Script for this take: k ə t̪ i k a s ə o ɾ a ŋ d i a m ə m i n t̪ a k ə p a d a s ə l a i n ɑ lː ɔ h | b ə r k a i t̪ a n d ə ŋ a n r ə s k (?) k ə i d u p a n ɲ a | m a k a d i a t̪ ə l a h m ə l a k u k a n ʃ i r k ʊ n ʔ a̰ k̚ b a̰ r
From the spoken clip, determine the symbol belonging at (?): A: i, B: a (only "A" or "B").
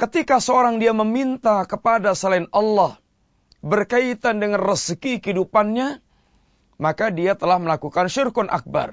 A